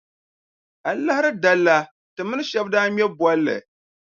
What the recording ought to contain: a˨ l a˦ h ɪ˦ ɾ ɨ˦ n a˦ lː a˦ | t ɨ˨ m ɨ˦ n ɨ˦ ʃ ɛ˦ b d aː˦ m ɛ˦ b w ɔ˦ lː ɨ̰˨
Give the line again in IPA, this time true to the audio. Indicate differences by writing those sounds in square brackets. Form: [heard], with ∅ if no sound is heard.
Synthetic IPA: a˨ l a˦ h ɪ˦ ɾ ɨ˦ [d] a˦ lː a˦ | t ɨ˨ m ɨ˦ n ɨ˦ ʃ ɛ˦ b d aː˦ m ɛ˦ b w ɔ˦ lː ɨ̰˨